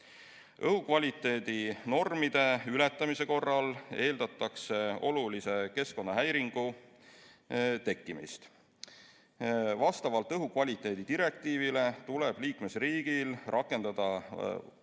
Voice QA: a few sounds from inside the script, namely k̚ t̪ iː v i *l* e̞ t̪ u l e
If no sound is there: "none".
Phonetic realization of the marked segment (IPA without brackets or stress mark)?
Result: l